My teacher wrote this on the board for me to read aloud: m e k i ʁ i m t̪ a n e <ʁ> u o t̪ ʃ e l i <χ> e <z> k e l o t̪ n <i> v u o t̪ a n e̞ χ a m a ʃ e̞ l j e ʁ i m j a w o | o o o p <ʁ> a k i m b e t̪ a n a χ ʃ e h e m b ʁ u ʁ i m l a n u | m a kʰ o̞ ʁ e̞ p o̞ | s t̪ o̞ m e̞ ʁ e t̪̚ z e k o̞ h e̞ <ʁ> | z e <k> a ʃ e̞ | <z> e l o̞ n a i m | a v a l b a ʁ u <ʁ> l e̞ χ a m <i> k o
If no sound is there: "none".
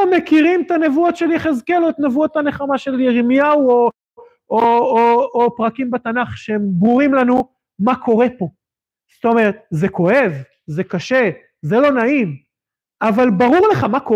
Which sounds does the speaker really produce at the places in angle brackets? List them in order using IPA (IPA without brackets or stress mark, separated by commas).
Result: v, χ, z, e, ʁ, v, k, z, ʁ, a